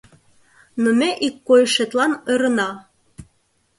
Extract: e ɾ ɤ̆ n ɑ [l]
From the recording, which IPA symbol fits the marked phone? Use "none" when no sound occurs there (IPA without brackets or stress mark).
none